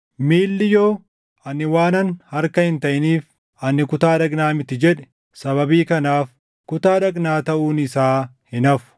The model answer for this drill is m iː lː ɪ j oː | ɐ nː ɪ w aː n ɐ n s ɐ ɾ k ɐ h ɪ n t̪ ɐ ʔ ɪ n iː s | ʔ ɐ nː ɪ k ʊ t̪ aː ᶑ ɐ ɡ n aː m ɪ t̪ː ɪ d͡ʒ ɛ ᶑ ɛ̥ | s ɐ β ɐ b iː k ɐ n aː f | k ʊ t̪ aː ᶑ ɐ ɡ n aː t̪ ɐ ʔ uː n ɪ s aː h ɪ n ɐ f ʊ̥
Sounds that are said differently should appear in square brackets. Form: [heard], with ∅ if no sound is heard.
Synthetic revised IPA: m iː lː ɪ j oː | ɐ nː ɪ w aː n ɐ n [h] ɐ ɾ k ɐ h ɪ n t̪ ɐ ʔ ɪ n iː [f] | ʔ ɐ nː ɪ k ʊ t̪ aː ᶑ ɐ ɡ n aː m ɪ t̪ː ɪ d͡ʒ ɛ ᶑ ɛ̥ | s ɐ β ɐ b iː k ɐ n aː f | k ʊ t̪ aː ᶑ ɐ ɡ n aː t̪ ɐ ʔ uː n ɪ s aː h ɪ n ɐ f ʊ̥